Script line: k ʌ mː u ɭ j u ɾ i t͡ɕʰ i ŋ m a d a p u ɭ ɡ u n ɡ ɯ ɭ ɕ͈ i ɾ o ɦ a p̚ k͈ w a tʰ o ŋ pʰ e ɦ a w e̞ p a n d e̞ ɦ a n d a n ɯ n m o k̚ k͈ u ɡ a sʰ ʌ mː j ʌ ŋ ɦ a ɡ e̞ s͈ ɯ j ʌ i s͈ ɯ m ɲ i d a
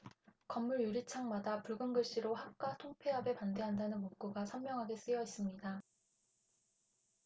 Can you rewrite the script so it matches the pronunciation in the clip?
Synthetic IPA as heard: k ʌ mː u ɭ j u ɾ i t͡ɕʰ a ŋ m a d a p u ɭ ɡ ɯ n ɡ ɯ ɭ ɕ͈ i ɾ o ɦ a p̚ k͈ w a tʰ o ŋ pʰ e ɦ a b e̞ p a n d e̞ ɦ a n d a n ɯ n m o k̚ k͈ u ɡ a sʰ ʌ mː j ʌ ŋ ɦ a ɡ e̞ s͈ ɯ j ʌ i s͈ ɯ m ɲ i d a